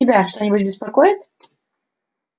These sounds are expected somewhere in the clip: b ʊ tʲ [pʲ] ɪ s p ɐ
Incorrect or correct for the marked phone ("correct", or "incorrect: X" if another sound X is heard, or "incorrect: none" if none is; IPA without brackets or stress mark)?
incorrect: bʲ